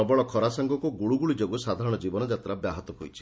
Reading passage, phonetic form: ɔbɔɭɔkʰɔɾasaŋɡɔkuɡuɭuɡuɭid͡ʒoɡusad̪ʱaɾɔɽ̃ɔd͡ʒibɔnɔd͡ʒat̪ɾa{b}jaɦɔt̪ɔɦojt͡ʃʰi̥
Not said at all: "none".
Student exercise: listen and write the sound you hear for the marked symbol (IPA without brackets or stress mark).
b